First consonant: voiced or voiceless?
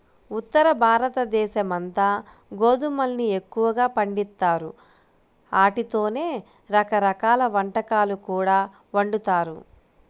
voiceless